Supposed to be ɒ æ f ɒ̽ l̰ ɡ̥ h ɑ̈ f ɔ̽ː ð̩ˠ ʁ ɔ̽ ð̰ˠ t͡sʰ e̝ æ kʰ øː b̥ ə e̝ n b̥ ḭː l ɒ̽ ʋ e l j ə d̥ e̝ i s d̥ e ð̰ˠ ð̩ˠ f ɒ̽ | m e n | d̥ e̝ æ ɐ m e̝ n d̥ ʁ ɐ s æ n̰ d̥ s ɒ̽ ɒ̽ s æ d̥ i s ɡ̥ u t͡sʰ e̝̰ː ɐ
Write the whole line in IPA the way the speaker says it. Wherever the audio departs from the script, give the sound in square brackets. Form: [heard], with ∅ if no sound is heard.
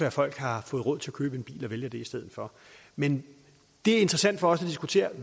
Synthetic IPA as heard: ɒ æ f ɒ̽ l̰ ɡ̥ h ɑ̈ f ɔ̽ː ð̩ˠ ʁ ɔ̽ ð̰ˠ t͡sʰ e̝ æ kʰ øː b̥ ə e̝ n b̥ ḭː l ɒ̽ ʋ e l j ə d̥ e̝ i s d̥ e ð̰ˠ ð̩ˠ f ɒ̽ | m e n | d̥ e̝ æ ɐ [∅] e̝ n d̥ ʁ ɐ s æ n̰ d̥ [f] ɒ̽ ɒ̽ s æ d̥ i s ɡ̥ u t͡sʰ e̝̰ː ɐ